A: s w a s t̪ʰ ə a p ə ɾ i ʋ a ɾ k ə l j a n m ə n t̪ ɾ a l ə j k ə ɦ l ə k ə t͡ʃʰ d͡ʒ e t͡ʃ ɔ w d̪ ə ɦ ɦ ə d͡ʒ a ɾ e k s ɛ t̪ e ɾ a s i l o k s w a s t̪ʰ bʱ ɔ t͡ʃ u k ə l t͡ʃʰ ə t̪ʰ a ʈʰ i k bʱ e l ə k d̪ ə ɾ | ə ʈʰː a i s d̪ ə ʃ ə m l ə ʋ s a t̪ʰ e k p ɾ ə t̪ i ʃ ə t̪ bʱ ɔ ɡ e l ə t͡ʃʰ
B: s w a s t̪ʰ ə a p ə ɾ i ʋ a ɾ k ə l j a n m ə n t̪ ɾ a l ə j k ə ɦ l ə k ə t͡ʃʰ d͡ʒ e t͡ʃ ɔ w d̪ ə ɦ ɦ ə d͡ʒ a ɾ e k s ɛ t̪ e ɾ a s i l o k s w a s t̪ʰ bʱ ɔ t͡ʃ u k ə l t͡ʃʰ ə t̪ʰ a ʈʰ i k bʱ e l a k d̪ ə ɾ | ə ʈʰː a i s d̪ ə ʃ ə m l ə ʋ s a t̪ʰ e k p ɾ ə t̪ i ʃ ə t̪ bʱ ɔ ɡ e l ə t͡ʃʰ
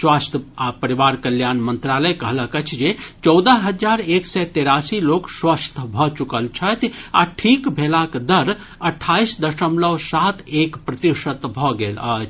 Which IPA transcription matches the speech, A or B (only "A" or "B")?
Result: B